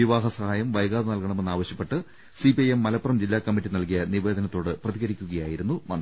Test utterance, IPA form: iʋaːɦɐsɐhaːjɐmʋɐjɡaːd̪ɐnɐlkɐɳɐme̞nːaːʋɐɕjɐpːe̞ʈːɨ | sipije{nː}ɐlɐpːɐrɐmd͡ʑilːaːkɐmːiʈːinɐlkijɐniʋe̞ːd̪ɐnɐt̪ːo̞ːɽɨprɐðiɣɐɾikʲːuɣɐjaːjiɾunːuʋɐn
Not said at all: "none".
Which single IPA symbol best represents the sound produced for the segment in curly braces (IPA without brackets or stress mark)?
mː